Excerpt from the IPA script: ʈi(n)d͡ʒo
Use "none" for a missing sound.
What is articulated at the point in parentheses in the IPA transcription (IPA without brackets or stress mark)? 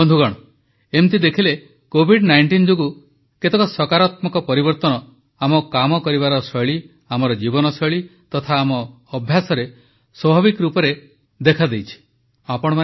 n